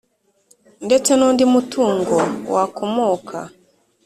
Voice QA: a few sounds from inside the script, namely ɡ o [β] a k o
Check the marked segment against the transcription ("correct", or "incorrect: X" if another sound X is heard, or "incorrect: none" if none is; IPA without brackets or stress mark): incorrect: w